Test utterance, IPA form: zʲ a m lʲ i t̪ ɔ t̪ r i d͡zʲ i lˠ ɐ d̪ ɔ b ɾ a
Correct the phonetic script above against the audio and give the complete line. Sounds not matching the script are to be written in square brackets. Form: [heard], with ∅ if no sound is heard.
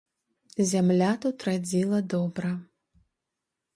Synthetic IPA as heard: zʲ a m lʲ [a] t̪ [u] t̪ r [a] d͡zʲ i lˠ ɐ d̪ ɔ b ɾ [ɐ]